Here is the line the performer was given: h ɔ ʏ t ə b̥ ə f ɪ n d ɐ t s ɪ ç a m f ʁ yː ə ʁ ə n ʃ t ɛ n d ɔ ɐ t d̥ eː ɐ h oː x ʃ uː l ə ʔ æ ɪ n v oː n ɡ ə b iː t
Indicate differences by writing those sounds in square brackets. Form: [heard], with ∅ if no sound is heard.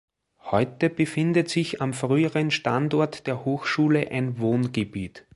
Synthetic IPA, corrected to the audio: h ɔ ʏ t ə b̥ ə f ɪ n d [ə] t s ɪ ç a m f ʁ yː ə ʁ ə n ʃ t [a] n d ɔ ɐ t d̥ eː ɐ h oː x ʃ uː l ə ʔ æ ɪ n v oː n ɡ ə b iː t